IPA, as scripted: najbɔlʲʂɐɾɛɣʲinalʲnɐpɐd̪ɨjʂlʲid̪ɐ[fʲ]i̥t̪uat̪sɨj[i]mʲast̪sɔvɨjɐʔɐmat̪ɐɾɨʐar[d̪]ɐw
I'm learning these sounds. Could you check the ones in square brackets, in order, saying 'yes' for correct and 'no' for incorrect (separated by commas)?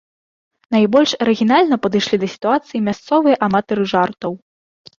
no, yes, no